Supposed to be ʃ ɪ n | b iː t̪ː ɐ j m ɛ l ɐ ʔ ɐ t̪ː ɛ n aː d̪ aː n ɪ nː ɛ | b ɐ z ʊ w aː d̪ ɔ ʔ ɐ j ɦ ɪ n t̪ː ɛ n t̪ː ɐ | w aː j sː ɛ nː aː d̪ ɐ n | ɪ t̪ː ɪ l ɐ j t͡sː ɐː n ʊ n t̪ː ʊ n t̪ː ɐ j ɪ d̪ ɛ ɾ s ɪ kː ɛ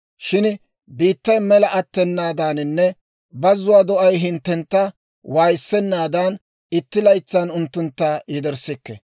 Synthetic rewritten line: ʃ ɪ n | b iː t̪ː ɐ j m ɛ l ɐ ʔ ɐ t̪ː ɛ nː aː d̪ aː n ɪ nː ɛ | b ɐ z ʊ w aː d̪ ɔ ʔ ɐ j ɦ ɪ n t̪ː ɛ n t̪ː ɐ | w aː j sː ɛ nː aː d̪ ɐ n | ɪ t̪ː ɪ l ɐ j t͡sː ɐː n ʊ n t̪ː ʊ n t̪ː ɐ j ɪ d̪ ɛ ɾ s ɪ kː ɛ